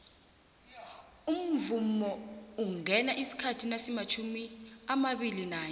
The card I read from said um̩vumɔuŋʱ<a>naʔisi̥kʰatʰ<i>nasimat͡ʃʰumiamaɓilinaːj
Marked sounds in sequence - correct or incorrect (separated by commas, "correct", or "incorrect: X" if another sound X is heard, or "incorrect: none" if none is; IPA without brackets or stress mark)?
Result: incorrect: ɛ, correct